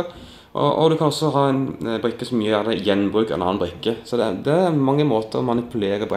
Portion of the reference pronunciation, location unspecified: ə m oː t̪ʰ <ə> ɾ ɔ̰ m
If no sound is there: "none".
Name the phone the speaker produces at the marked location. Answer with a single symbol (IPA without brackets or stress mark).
ə